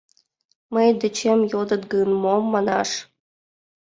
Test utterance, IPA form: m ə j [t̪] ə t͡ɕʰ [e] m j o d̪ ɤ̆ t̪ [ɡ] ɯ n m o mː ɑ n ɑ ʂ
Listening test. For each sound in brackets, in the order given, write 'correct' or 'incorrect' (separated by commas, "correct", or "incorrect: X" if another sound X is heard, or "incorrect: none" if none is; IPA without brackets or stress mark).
incorrect: d̪, correct, correct